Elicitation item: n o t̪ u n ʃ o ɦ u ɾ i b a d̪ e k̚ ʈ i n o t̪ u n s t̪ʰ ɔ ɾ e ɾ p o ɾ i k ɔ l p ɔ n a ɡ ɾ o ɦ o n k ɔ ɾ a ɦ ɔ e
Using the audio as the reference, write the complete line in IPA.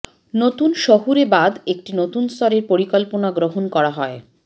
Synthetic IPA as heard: n o t̪ u n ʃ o ɦ u ɾ e b a d̪ e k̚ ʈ i n o t̪ u n s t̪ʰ ɔ ɾ e ɾ p o ɾ i k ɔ l p o n a ɡ ɾ o ɦ o n k ɔ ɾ a ɦ ɔ e